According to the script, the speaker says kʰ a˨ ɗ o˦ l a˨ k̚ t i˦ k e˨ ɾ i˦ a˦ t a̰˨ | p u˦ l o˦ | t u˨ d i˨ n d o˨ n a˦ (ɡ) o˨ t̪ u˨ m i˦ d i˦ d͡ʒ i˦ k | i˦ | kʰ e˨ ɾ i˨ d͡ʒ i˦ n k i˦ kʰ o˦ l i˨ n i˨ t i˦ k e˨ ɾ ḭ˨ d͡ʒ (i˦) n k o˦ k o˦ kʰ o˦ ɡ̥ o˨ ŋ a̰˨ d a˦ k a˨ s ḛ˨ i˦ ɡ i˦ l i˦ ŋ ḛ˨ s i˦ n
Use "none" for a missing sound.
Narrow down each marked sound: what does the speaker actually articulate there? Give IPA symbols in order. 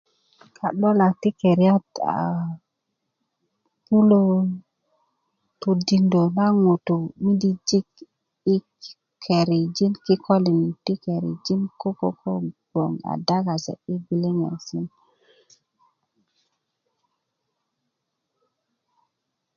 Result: ŋ, i˦

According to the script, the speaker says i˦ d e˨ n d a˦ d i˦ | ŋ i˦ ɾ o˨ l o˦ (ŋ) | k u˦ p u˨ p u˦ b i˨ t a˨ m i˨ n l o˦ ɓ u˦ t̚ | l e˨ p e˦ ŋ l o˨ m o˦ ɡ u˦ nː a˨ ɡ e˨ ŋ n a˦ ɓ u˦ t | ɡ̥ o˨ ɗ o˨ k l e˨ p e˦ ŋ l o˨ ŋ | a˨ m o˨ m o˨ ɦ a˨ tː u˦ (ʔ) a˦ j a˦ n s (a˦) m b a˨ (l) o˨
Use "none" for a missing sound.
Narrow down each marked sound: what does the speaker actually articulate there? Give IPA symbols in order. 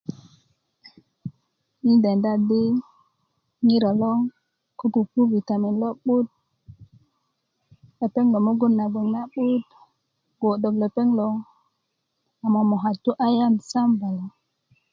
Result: ŋ, ʔ, a˦, l

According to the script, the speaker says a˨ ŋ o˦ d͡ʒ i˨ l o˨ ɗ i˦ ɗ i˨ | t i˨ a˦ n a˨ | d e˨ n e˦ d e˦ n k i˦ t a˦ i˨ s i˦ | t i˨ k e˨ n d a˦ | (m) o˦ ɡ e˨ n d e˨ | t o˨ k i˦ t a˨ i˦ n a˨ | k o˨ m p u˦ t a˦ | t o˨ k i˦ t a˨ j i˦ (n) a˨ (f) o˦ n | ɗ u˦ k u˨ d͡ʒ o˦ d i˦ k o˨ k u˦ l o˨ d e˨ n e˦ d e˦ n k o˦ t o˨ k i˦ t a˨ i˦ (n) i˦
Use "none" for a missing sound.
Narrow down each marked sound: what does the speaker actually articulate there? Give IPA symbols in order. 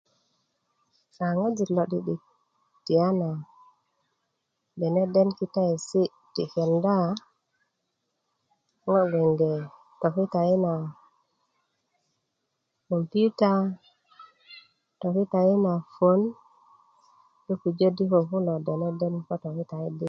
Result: ŋ, n, f, d

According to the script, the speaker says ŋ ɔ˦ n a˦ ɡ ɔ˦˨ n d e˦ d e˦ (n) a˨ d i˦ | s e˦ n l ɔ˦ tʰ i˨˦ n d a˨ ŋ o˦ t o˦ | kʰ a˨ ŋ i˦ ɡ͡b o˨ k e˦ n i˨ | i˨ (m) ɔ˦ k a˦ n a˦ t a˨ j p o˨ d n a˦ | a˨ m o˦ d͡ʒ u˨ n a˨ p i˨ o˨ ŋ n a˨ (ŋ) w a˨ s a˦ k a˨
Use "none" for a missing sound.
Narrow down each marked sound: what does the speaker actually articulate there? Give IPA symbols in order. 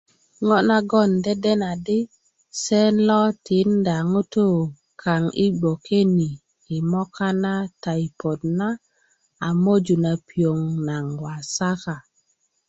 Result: n, m, ŋ

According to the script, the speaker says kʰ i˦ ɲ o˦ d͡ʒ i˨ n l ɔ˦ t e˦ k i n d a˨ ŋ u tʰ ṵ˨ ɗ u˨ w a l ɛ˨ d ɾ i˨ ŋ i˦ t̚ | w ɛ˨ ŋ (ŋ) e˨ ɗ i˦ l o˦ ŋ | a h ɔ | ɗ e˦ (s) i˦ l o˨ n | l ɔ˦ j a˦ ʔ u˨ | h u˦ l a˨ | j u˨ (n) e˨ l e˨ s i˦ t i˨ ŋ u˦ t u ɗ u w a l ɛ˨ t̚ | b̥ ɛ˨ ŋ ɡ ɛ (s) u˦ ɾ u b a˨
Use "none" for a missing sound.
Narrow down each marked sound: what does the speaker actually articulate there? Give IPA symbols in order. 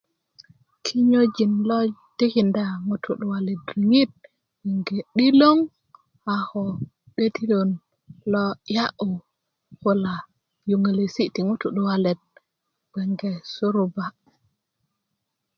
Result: ɡ, t, ŋ, s

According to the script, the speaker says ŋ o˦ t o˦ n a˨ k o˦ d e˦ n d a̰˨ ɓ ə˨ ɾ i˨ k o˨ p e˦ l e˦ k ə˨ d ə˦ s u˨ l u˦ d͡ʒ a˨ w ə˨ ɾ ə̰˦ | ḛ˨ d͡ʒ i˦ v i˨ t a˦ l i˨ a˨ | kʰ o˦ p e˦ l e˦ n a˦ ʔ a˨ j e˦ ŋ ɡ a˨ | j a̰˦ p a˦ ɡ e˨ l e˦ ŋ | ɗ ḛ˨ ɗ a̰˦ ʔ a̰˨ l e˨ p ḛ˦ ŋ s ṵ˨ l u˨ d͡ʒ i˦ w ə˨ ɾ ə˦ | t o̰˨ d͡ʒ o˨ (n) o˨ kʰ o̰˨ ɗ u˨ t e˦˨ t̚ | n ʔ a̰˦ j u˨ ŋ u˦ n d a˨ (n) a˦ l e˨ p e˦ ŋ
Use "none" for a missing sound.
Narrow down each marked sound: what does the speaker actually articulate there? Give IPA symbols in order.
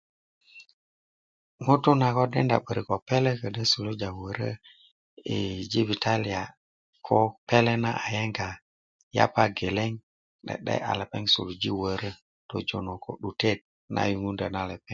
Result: n, n

